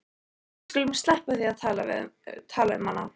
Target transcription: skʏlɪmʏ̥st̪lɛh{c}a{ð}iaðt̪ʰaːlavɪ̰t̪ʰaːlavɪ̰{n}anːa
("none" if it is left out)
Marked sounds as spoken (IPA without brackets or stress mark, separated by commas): p, θ, m